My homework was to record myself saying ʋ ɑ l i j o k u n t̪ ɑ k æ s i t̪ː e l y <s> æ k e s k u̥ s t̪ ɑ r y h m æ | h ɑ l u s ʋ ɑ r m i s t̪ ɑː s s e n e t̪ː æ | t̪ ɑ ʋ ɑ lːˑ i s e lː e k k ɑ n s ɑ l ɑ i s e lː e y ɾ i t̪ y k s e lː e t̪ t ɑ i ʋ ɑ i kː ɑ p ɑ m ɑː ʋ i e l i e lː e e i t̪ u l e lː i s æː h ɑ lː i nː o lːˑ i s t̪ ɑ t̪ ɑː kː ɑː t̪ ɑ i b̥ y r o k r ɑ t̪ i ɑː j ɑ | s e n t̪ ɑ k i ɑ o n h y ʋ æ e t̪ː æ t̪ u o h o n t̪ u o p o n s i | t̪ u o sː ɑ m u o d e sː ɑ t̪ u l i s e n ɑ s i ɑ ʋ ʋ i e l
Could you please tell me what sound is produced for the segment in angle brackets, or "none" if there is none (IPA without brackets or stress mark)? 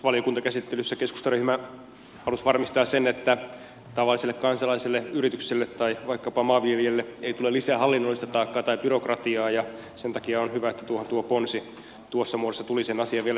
sː